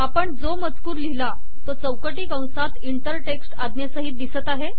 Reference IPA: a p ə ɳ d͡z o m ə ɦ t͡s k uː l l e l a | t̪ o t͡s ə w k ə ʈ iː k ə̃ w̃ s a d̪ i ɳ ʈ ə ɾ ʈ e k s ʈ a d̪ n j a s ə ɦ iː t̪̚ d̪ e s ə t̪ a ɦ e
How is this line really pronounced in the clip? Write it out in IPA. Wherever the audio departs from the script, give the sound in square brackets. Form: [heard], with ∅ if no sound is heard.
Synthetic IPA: a p ə ɳ d͡z o m ə [∅] t͡s k uː [ɾ] l [i] l a | t̪ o t͡s ə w k ə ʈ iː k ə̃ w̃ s a [t̪] i ɳ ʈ ə ɾ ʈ e k s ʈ a d̪ n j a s ə ɦ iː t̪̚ d̪ [i] s ə t̪ a ɦ e